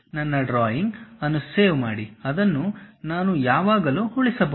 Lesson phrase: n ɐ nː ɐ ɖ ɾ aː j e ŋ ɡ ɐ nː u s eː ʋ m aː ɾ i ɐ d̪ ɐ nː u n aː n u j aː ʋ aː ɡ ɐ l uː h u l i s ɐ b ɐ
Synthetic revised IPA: n ɐ nː ɐ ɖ ɾ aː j i ŋ ɡ ɐ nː u s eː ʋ m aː ɽ i ɐ d̪ ɐ nː u n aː n u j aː ʋ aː ɡ ɐ l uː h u ɭ i s ɐ b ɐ